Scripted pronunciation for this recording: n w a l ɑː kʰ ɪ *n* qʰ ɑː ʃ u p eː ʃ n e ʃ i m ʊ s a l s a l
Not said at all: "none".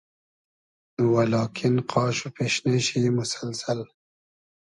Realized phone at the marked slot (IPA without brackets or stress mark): n